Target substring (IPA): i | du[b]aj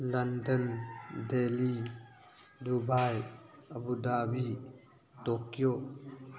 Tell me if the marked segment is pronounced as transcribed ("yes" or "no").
yes